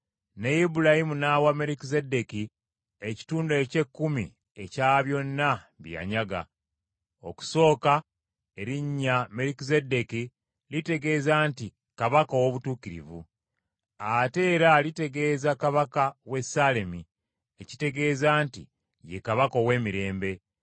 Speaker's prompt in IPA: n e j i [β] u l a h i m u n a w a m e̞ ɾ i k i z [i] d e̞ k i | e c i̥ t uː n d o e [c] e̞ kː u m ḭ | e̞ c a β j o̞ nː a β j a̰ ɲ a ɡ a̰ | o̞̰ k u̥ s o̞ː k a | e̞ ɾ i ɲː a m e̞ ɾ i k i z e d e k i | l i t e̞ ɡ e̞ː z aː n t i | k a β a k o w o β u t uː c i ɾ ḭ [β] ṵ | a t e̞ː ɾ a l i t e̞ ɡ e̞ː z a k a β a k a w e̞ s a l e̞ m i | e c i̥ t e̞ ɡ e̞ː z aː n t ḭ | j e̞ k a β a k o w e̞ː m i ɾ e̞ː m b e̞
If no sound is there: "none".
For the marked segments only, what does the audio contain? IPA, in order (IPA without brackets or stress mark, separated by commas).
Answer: b, e, c, v